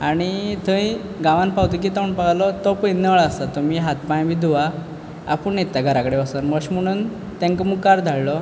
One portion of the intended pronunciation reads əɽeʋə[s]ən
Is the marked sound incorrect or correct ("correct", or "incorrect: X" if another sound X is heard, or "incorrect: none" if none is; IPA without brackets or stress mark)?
correct